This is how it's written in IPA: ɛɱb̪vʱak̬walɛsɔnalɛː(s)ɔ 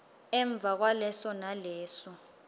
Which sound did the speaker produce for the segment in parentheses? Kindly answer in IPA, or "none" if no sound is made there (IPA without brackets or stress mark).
s